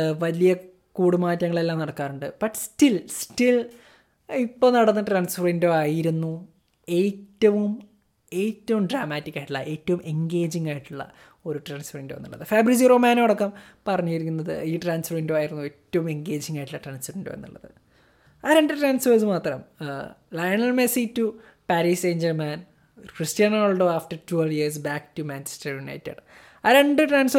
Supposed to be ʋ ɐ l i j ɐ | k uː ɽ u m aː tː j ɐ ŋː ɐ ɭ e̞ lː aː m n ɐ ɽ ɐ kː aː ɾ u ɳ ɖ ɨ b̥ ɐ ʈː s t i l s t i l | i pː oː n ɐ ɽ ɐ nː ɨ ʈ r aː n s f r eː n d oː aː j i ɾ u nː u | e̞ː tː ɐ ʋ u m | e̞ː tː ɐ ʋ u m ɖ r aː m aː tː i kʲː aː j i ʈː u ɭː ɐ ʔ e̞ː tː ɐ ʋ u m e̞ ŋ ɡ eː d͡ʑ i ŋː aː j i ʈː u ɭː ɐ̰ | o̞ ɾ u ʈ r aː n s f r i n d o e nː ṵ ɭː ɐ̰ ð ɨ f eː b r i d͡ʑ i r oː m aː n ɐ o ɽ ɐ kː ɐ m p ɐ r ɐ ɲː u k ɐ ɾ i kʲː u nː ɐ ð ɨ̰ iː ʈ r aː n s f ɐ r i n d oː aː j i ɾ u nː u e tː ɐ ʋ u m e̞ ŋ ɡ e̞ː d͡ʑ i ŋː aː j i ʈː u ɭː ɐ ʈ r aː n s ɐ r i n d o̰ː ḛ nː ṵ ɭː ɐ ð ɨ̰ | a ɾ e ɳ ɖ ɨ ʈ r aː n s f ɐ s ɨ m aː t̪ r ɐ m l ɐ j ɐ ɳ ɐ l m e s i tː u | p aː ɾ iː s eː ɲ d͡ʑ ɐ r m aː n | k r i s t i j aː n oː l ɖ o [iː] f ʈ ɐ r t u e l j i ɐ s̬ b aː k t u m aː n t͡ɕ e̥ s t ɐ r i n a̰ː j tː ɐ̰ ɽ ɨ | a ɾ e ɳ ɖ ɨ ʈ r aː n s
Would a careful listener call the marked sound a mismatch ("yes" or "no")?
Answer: yes